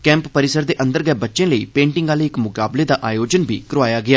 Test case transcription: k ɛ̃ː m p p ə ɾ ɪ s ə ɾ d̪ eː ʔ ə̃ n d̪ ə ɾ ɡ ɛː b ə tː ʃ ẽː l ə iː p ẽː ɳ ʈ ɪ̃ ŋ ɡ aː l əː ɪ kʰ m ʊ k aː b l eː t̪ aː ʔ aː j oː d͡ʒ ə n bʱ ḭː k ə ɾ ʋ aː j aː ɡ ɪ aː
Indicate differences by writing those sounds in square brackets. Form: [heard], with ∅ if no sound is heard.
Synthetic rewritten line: k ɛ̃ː m p p ə ɾ ɪ s ə ɾ d̪ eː ʔ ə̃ n d̪ ə ɾ ɡ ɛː b ə tː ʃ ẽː l ə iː p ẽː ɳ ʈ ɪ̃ ŋ ɡ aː l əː ɪ [k] m ʊ k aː b l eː [d̪] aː ʔ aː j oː d͡ʒ ə n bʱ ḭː k ə ɾ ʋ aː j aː ɡ ɪ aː